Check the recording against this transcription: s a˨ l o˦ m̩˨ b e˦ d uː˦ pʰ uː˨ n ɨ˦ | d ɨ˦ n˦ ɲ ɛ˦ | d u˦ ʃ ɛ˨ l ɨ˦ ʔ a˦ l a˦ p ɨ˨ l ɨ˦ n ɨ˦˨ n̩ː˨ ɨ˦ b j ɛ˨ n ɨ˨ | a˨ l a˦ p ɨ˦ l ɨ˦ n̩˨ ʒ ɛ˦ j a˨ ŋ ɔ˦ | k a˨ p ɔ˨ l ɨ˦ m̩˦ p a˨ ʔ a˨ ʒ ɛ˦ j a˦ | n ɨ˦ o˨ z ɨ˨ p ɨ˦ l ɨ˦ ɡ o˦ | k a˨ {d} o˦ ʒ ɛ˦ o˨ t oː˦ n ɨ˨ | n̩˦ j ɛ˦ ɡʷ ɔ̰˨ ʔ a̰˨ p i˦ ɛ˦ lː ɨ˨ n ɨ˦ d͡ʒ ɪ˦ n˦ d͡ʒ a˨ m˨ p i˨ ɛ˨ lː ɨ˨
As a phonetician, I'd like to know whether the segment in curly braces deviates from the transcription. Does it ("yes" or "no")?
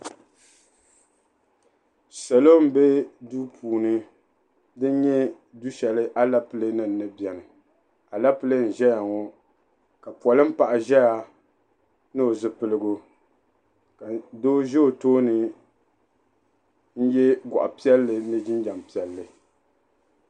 no